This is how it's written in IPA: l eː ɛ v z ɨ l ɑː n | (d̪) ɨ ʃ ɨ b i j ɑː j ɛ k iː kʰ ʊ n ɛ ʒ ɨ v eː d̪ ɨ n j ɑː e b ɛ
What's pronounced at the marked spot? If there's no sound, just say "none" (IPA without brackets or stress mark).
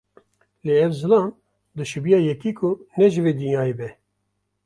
d̪